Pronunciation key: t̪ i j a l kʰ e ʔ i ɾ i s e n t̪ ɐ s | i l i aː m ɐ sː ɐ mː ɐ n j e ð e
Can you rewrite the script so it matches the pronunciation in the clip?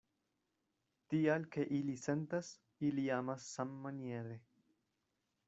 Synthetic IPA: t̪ i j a l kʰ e ʔ i l i s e n t̪ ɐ s | i l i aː m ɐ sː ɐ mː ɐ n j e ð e